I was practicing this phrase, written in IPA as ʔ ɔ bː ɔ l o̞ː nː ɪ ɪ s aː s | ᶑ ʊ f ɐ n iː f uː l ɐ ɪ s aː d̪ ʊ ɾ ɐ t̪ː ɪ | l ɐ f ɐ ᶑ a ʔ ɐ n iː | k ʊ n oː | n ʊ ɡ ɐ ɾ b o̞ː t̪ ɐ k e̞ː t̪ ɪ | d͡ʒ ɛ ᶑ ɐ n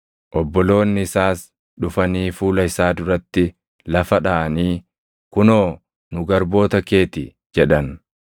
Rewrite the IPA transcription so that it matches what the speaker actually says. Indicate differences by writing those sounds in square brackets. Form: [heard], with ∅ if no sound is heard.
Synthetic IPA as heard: ʔ ɔ bː ɔ l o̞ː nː ɪ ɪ s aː s | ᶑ ʊ f ɐ n iː f uː l ɐ ɪ s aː d̪ ʊ ɾ ɐ t̪ː ɪ | l ɐ f ɐ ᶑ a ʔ ɐ n iː | k ʊ n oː | n ʊ ɡ ɐ ɾ b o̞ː t̪ ɐ k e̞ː t̪ ɪ | d͡ʒ ɛ ᶑ ɐ n